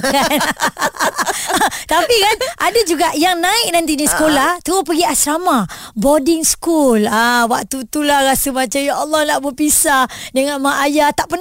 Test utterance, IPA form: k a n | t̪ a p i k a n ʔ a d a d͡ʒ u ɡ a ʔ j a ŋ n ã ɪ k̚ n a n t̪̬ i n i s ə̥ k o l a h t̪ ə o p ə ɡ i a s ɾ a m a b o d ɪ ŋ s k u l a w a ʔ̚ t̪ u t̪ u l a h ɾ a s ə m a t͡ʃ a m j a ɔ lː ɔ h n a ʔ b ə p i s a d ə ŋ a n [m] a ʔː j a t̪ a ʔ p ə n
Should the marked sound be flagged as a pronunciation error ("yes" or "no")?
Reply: no